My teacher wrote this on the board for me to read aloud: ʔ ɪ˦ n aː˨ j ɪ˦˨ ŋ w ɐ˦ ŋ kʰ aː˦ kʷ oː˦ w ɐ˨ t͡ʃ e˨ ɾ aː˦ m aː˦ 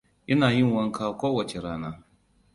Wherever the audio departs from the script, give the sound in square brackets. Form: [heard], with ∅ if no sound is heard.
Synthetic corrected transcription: ʔ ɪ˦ n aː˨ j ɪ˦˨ ŋ w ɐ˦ ŋ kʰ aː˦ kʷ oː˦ w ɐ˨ t͡ʃ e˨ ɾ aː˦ [n] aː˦